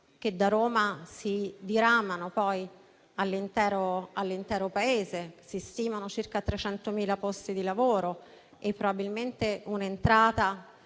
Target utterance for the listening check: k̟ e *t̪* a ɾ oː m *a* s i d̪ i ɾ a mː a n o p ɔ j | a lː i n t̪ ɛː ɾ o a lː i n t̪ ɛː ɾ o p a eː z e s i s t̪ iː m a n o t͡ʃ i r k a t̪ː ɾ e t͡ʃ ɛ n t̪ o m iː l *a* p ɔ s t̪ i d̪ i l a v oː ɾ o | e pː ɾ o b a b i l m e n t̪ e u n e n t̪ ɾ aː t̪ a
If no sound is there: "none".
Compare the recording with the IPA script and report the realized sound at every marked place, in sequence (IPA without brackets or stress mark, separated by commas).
d̪, a, a